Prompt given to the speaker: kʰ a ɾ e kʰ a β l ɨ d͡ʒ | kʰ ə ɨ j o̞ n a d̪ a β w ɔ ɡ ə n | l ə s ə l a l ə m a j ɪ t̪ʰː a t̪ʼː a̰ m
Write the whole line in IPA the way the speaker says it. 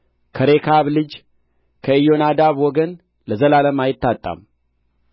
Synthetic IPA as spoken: kʰ ə ɾ e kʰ a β l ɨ d͡ʒ | kʰ ə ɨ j o̞ n a d̪ a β w ɔ ɡ ə n | l ə z ə l a l ə m a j ɪ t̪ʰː a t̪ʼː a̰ m